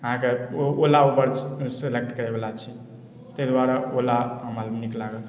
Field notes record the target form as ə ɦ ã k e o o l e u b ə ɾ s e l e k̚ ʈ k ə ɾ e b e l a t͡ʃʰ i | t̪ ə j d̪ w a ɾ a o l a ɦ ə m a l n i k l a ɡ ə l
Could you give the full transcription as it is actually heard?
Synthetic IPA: ə ɦ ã k e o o l a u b ə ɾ s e l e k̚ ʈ k ə ɾ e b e l a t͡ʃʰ i | t̪ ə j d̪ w a ɾ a o l a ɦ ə m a l n i k l a ɡ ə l